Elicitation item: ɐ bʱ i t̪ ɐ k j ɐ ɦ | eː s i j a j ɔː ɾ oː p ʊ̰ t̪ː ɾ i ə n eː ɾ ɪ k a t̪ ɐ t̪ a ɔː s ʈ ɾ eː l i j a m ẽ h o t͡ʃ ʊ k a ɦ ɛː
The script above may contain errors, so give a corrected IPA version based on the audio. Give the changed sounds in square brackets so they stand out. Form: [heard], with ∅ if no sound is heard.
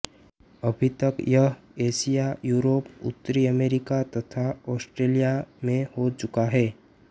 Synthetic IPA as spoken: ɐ bʱ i t̪ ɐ k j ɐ ɦ | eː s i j a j [uː] ɾ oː p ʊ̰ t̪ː ɾ i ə [m] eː ɾ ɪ k a t̪ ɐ [t̪ʰ] a ɔː s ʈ ɾ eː l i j a m ẽ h o t͡ʃ ʊ k a ɦ ɛː